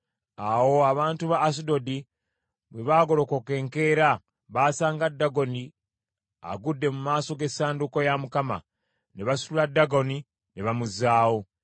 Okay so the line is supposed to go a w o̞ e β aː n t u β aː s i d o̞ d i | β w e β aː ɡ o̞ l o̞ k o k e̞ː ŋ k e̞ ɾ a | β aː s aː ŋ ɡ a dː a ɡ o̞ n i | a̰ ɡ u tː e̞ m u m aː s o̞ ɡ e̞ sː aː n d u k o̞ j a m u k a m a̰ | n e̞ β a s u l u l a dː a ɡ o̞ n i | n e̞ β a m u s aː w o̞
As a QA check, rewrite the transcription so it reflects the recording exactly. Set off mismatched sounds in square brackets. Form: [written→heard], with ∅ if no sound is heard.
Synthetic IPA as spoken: a w o̞ [e→a] β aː n t u β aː s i d o̞ d i | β w e β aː ɡ o̞ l o̞ k o k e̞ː ŋ k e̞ ɾ a | β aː s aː ŋ ɡ a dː a ɡ o̞ n i | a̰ ɡ u [tː→dː] e̞ m u m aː s o̞ ɡ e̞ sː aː n d u k o̞ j a m u k a m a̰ | n e̞ β a s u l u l a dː a ɡ o̞ n i | n e̞ β a m u [s→z] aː w o̞